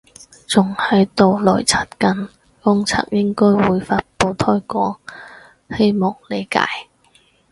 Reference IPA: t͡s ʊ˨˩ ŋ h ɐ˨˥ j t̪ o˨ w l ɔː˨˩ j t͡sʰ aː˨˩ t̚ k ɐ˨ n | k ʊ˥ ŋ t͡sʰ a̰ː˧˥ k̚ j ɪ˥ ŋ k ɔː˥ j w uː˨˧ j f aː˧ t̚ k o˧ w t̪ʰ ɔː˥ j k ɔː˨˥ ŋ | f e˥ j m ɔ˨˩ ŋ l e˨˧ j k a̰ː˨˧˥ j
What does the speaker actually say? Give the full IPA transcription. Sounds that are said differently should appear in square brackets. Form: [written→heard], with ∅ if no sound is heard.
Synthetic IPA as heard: t͡s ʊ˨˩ ŋ h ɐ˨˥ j t̪ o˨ w l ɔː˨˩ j t͡sʰ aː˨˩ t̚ k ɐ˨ n | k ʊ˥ ŋ t͡sʰ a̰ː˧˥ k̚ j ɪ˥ ŋ k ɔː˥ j w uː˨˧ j f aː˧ t̚ [k→p] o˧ w t̪ʰ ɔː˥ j k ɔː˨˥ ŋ | [f→h] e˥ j m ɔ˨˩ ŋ l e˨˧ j k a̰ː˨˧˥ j